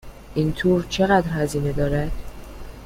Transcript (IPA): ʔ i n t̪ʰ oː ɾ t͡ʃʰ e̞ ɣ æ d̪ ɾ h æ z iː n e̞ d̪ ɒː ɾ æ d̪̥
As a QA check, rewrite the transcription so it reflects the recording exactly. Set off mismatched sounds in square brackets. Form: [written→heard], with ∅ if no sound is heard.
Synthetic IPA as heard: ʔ i n t̪ʰ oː ɾ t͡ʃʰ e̞ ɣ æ d̪ ɾ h æ z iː n e̞ d̪ ɒː ɾ æ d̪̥

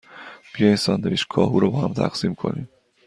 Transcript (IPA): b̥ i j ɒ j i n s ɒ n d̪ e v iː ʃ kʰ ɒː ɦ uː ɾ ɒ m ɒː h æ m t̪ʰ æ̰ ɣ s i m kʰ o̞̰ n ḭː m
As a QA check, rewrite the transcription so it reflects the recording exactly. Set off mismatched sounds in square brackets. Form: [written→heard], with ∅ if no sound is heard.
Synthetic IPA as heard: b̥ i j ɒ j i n s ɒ n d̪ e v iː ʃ kʰ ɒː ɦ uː ɾ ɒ [m→b] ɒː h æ m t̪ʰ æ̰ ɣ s i m kʰ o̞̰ n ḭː m

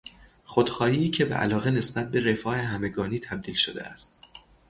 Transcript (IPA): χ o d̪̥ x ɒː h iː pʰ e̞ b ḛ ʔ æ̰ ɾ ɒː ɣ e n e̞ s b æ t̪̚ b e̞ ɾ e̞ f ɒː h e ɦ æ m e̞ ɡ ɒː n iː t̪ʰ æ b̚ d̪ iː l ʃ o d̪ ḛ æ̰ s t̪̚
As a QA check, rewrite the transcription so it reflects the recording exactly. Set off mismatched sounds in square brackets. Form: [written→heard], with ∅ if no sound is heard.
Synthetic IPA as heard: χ o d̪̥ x ɒː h iː [pʰ→cʰ] e̞ b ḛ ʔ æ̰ [ɾ→l] ɒː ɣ e n e̞ s b æ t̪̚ b e̞ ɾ e̞ f ɒː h e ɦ æ m e̞ ɡ ɒː n iː t̪ʰ æ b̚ d̪ iː l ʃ o d̪ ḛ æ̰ s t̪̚

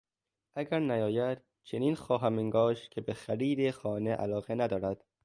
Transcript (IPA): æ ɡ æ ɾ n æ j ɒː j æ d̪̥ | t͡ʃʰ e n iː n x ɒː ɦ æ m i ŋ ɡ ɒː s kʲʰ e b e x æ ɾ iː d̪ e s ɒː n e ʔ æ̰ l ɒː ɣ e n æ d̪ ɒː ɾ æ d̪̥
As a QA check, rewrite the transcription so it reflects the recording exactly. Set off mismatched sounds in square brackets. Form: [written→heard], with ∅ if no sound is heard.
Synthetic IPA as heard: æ ɡ æ ɾ n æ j ɒː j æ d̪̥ | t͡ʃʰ e n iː n x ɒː ɦ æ m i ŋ ɡ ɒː [s→ʃ] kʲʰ e b e x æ ɾ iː d̪ e [s→x] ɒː n e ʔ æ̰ l ɒː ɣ e n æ d̪ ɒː ɾ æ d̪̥

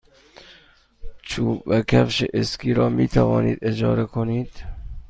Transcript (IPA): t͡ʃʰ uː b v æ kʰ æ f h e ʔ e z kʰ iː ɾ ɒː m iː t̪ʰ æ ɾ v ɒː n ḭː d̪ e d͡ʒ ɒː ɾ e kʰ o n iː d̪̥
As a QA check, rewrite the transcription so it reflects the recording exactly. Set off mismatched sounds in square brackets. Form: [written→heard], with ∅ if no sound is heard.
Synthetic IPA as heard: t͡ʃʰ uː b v æ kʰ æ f [h→ʃ] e ʔ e [z→s] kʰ iː ɾ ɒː m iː t̪ʰ æ [ɾ→∅] v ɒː n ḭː d̪ e d͡ʒ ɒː ɾ e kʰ o n iː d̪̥

